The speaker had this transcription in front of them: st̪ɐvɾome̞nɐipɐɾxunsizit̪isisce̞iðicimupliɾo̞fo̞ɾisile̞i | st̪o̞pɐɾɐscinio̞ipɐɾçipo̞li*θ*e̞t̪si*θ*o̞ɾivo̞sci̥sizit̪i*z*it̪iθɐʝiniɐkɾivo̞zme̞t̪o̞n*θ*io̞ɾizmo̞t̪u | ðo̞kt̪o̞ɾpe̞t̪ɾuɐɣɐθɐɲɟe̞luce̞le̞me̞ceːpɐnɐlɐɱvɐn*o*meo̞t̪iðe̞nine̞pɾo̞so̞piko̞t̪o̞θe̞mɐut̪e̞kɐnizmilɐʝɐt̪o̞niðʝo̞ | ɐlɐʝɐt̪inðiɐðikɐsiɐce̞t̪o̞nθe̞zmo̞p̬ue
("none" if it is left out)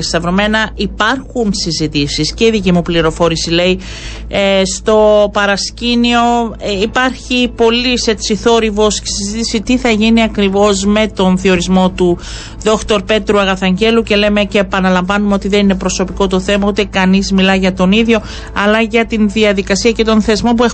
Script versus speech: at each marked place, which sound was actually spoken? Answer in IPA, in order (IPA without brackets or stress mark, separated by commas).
s, θ, s, θ, u